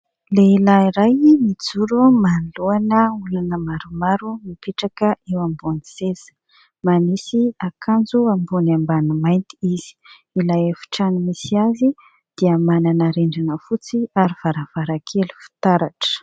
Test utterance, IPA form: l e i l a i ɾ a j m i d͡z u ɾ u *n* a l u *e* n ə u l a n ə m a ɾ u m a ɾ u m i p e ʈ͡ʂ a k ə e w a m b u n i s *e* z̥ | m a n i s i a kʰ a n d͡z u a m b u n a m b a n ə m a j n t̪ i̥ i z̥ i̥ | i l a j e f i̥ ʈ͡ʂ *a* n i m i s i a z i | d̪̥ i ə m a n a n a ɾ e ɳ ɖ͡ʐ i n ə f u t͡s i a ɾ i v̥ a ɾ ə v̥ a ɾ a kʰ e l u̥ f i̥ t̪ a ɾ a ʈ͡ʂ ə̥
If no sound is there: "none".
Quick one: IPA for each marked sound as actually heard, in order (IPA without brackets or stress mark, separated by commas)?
m, a, e, a